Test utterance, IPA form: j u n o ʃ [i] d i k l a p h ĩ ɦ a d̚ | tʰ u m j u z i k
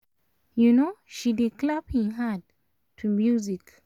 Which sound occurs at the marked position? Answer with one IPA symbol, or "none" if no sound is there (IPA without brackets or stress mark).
i